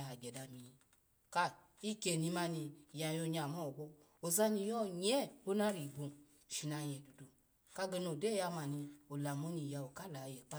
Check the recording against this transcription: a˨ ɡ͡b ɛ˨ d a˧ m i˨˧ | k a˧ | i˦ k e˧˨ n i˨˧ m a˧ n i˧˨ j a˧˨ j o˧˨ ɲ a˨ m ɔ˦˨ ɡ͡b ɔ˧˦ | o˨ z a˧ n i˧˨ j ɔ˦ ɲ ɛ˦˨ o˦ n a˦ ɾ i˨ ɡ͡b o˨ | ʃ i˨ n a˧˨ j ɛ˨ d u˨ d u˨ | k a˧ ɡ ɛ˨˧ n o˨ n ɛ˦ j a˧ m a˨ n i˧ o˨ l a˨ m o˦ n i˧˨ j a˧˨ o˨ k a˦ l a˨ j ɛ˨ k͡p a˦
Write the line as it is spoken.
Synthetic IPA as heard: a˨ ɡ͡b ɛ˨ d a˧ m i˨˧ | k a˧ | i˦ k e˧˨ n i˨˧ m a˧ n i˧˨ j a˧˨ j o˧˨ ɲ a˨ m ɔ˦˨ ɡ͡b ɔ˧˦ | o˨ z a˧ n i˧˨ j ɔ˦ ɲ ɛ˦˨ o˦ n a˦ ɾ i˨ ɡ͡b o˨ | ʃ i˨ n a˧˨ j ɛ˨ d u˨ d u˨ | k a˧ ɡ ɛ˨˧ n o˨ d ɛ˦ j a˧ m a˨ n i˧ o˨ l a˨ m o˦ n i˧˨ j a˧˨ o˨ k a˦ l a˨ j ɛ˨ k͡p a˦